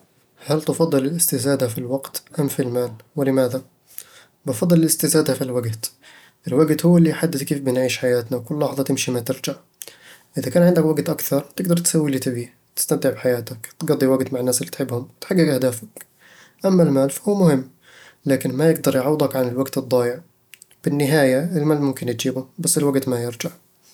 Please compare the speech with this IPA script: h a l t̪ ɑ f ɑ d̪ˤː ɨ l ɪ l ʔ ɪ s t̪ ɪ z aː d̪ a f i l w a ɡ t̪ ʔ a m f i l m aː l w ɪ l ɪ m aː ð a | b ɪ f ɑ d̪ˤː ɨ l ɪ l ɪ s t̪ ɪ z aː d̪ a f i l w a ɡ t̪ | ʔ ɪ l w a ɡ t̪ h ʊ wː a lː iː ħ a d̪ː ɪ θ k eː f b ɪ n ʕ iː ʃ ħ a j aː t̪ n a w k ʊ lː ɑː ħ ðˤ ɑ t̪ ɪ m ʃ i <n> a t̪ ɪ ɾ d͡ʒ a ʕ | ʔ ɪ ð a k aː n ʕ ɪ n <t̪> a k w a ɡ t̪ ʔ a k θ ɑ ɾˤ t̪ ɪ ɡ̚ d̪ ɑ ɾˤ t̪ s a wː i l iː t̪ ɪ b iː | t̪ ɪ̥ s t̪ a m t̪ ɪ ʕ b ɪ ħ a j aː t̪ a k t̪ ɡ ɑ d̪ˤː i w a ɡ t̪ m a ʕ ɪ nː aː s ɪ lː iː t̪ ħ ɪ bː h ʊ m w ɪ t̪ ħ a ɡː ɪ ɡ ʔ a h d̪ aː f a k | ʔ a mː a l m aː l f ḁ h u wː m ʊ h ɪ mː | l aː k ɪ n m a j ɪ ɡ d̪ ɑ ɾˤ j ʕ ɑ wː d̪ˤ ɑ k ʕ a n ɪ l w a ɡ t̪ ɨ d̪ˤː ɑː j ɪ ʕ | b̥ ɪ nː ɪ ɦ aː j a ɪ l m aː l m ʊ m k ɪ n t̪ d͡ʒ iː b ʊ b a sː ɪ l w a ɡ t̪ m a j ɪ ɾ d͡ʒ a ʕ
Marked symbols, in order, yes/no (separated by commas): no, no